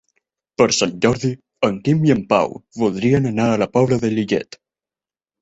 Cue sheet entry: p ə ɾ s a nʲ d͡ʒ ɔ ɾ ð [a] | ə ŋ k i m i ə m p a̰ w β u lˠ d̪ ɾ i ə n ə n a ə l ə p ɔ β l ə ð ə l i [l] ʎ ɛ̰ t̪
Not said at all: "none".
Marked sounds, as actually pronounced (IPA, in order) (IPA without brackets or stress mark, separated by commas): i, none